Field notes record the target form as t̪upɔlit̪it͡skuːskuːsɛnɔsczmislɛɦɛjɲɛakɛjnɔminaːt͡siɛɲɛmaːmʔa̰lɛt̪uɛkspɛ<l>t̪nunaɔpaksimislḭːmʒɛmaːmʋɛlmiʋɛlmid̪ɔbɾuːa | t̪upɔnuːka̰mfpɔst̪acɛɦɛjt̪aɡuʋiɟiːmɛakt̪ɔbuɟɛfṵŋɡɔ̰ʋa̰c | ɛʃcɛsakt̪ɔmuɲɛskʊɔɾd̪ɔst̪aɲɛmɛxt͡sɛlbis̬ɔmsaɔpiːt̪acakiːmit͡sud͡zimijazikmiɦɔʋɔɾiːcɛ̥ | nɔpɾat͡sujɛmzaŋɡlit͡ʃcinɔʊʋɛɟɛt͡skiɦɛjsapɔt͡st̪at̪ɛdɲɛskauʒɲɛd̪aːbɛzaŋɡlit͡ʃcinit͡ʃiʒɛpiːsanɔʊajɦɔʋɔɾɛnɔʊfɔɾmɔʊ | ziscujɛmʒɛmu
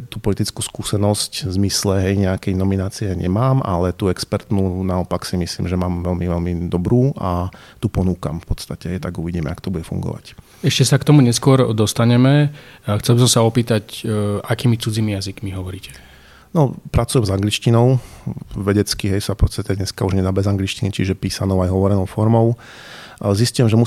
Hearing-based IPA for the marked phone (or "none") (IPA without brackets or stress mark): ɾ